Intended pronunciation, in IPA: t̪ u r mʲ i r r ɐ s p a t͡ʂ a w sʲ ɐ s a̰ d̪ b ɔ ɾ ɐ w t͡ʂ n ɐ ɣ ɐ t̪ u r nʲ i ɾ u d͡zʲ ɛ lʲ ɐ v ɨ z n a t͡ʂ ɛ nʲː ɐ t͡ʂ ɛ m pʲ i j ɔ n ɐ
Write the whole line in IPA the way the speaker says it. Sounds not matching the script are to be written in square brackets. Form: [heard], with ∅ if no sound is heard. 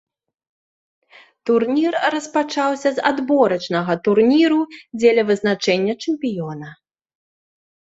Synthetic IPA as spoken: t̪ u r [nʲ] i r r ɐ s p a t͡ʂ a w sʲ ɐ [z] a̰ d̪ b ɔ ɾ ɐ [∅] t͡ʂ n ɐ ɣ ɐ t̪ u r nʲ i ɾ u d͡zʲ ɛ lʲ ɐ v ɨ z n a t͡ʂ ɛ nʲː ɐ t͡ʂ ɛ m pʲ i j ɔ n ɐ

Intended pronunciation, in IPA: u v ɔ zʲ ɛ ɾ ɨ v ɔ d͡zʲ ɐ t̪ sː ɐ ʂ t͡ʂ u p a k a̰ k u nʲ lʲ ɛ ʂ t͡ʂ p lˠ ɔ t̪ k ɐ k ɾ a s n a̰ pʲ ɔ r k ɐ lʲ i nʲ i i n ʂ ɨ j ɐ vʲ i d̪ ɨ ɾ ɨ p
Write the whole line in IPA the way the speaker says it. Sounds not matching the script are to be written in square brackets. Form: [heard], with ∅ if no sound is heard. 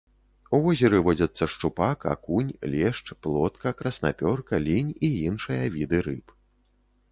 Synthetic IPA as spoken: u v ɔ zʲ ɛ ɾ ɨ v ɔ d͡zʲ ɐ t̪ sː ɐ ʂ t͡ʂ u p a k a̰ k u nʲ lʲ ɛ ʂ t͡ʂ p lˠ ɔ t̪ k ɐ k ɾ [ɐ] s n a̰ pʲ ɔ r k ɐ lʲ i nʲ i i n ʂ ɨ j ɐ vʲ i d̪ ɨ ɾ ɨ p

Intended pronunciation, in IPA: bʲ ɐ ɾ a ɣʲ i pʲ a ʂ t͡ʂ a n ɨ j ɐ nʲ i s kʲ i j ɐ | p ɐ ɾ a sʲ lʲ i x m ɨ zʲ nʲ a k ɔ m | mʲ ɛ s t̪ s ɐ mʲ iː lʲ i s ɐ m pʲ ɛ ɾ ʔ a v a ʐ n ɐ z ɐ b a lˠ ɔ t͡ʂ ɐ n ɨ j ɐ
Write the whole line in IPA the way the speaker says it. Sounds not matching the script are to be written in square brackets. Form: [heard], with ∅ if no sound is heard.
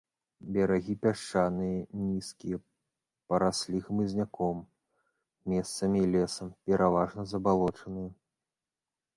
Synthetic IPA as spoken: bʲ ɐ ɾ a ɣʲ i pʲ a ʂ t͡ʂ a n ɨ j ɐ nʲ i s kʲ i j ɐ | p ɐ ɾ a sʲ lʲ i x m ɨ zʲ nʲ a k ɔ m | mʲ ɛ s t̪ s ɐ mʲ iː lʲ [ɛ] s ɐ m pʲ ɛ ɾ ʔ a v a ʐ n ɐ z ɐ b a lˠ ɔ t͡ʂ ɐ n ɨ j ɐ

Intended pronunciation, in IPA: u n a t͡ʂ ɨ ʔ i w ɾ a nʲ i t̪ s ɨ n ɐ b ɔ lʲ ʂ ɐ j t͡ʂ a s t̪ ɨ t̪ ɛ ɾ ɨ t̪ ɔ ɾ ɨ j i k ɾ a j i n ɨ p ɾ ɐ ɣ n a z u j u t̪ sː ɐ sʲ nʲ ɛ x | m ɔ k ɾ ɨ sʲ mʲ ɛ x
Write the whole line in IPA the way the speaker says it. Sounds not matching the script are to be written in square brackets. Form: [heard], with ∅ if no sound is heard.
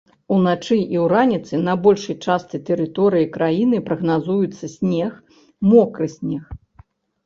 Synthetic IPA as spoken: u n a t͡ʂ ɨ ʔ i w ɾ a nʲ i t̪ s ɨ n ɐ b ɔ lʲ ʂ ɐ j t͡ʂ a s t̪ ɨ t̪ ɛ ɾ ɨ t̪ ɔ ɾ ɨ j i k ɾ a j i n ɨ p ɾ ɐ ɣ n a z u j u t̪ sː ɐ sʲ nʲ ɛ x | m ɔ k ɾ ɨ sʲ [nʲ] ɛ x

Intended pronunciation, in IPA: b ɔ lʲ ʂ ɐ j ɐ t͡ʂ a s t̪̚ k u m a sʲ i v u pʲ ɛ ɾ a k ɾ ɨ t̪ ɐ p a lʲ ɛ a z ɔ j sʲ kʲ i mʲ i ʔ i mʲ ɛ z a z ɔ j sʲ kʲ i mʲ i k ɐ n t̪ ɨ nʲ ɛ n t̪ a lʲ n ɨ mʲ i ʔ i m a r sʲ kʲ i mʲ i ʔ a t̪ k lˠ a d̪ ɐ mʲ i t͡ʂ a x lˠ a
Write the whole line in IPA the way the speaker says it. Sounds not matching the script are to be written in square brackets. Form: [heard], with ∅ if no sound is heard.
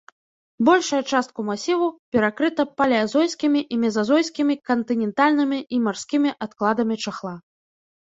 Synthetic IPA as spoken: b ɔ lʲ ʂ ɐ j ɐ t͡ʂ a s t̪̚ k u m a sʲ i v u pʲ ɛ ɾ a k ɾ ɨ t̪ ɐ p a lʲ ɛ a z ɔ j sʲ kʲ i mʲ i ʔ i mʲ ɛ z a z ɔ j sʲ kʲ i mʲ i k ɐ n t̪ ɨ nʲ ɛ n t̪ a lʲ n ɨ mʲ i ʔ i m a r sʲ kʲ i mʲ i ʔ a t̪ k lˠ a d̪ ɐ mʲ i t͡ʂ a x lˠ a

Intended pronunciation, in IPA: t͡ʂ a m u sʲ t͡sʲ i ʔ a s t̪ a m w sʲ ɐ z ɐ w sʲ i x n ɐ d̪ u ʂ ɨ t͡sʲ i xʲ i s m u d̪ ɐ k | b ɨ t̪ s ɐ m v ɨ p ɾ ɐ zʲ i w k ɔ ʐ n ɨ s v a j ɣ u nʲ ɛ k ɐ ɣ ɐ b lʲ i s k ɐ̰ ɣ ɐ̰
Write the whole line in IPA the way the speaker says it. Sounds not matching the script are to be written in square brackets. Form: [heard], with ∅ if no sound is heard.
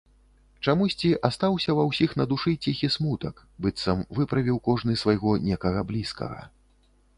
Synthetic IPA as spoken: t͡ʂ a m u sʲ t͡sʲ i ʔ a s t̪ a [∅] w sʲ ɐ [v] ɐ w sʲ i x n ɐ d̪ u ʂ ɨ t͡sʲ i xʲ i s m u [t̪] ɐ k | b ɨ t̪ s ɐ m v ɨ p ɾ ɐ [vʲ] i w k ɔ ʐ n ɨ s v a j ɣ [ɔ] nʲ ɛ k ɐ ɣ ɐ b lʲ i s k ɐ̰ ɣ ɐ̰

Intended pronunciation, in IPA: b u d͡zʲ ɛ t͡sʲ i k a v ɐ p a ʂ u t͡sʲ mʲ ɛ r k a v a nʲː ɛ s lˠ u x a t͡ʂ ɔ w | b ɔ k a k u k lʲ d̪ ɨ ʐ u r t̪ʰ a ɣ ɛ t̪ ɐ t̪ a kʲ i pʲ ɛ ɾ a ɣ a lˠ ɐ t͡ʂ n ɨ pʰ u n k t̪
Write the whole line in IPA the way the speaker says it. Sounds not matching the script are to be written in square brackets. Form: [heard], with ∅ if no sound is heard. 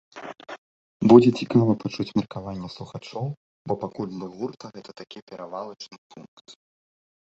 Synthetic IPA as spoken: b u d͡zʲ ɛ t͡sʲ i k a v ɐ p a [t͡ʂ] u t͡sʲ mʲ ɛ r k a v a nʲː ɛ s lˠ u x a t͡ʂ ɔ w | b ɔ [p] a k u [∅] lʲ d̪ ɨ [ɣ] u r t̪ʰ [ɐ] ɣ ɛ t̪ ɐ t̪ a kʲ i pʲ ɛ ɾ a [v] a lˠ ɐ t͡ʂ n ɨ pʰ u n k t̪

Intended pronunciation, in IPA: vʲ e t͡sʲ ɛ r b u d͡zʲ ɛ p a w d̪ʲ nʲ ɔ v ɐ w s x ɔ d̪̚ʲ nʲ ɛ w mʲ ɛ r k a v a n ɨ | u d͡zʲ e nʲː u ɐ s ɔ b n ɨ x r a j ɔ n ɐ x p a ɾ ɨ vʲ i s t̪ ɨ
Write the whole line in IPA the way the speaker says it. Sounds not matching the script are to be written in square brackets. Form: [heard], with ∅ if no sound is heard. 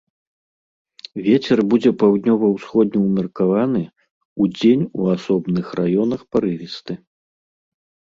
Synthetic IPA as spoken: vʲ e t͡sʲ ɛ r b u d͡zʲ ɛ p a w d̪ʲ nʲ ɔ v ɐ w s x ɔ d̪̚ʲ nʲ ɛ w mʲ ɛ r k a v a n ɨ | u d͡zʲ e [nʲ] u [a] s ɔ b n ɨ x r a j ɔ n ɐ x p a ɾ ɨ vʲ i s t̪ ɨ

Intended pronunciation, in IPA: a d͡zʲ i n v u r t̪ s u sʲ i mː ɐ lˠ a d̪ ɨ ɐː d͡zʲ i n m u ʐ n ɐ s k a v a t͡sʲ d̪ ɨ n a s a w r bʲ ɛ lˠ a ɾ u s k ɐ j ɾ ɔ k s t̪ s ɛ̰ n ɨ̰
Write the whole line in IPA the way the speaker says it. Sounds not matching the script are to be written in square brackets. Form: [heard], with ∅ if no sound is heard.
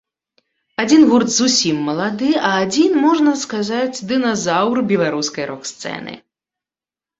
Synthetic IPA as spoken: a d͡zʲ i n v u r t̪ [z] u sʲ i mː ɐ lˠ a d̪ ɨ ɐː d͡zʲ i n m [ɔ] ʐ n ɐ s k a [z] a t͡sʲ d̪ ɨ n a [z] a w r bʲ ɛ lˠ a ɾ u s k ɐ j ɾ ɔ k s t̪ s ɛ̰ n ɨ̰

